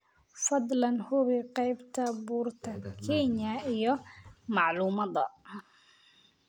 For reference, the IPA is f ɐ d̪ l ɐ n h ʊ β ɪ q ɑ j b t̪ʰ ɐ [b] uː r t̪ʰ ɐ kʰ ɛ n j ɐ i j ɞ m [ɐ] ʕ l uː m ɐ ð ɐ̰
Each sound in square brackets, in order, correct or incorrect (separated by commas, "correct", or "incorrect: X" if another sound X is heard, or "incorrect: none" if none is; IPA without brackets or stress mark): correct, incorrect: ɑ